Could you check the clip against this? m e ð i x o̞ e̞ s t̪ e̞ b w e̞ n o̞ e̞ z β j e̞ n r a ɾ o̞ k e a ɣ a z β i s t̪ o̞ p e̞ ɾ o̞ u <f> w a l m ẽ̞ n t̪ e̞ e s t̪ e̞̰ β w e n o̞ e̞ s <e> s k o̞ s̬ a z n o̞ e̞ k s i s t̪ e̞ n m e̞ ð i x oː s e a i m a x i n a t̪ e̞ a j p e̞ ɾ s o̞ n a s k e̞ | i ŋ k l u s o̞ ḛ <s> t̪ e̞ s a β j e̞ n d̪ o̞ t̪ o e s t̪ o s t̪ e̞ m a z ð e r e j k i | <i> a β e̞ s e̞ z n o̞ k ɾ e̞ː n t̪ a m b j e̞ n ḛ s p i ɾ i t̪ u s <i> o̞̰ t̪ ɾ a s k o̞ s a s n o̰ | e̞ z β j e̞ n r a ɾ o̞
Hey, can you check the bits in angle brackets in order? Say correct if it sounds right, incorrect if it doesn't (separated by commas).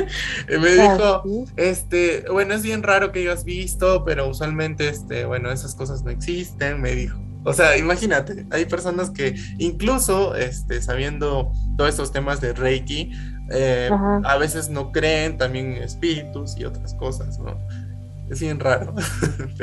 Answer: incorrect, incorrect, correct, incorrect, correct